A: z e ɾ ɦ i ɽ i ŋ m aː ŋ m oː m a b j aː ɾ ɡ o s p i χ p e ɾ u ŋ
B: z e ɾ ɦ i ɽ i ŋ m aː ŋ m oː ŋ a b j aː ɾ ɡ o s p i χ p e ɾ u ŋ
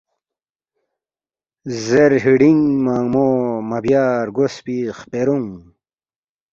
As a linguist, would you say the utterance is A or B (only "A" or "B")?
A